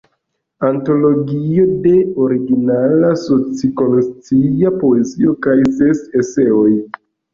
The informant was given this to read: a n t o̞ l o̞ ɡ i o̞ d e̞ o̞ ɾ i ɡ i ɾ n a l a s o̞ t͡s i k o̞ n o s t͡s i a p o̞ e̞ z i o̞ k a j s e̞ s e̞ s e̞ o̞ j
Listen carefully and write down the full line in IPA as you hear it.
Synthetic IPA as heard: a n t o̞ l o̞ ɡ i o̞ d e̞ o̞ ɾ i ɡ i n a l a s o̞ t͡s i k o̞ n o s t͡s i a p o̞ e̞ z i o̞ k a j s e̞ s e̞ s e̞ o̞ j